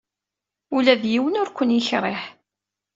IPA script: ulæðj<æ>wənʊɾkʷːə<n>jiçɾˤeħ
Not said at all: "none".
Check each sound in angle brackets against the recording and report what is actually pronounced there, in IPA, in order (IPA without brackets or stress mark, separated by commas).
i, n